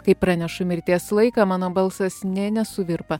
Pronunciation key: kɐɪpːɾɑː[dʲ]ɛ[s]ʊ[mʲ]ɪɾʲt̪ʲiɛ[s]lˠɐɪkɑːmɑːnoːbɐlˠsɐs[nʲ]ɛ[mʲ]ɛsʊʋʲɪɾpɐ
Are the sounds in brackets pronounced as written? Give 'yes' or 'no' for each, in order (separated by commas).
no, no, yes, yes, yes, no